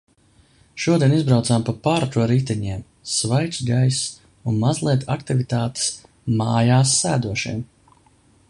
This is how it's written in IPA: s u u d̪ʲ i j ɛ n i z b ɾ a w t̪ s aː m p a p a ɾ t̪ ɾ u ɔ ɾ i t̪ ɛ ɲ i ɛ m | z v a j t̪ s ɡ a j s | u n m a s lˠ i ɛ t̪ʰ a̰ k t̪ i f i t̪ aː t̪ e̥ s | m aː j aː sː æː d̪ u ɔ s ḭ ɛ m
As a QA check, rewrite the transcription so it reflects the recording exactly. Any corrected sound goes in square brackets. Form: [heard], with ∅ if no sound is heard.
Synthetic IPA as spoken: [ʃ] u [ɔ] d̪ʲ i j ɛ n i z b ɾ a w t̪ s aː m p a p a ɾ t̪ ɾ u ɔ ɾ i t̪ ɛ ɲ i ɛ m | [s] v a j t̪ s ɡ a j s | u n m a [z] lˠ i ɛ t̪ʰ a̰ k t̪ i [v] i t̪ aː t̪ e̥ s | m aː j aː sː æː d̪ u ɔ [ʃ] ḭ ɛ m